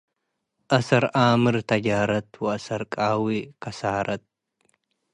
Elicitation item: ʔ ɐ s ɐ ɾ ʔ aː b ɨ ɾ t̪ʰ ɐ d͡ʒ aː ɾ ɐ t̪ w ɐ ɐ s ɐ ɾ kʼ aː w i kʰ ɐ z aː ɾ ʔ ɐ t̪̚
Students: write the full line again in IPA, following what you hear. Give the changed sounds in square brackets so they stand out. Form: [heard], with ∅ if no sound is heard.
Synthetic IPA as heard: ʔ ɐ s ɐ ɾ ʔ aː [m] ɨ ɾ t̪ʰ ɐ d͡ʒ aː ɾ ɐ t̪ w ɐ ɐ s ɐ ɾ kʼ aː w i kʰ ɐ [s] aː ɾ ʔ ɐ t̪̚